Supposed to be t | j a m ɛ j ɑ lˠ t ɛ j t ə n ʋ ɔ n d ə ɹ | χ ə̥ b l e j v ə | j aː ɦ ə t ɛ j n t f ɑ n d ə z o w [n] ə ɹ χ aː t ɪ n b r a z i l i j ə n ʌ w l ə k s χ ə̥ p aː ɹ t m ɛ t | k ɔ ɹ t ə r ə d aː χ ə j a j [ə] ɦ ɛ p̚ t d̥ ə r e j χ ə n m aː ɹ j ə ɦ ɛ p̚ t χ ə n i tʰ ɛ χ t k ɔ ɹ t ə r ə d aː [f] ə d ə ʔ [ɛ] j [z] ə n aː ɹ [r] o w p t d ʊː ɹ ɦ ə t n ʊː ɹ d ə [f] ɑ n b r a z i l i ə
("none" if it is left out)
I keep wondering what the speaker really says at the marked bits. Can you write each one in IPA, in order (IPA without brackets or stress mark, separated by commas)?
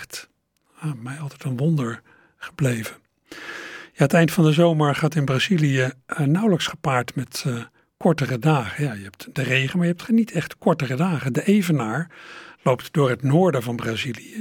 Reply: m, ə, χ, e, v, l, v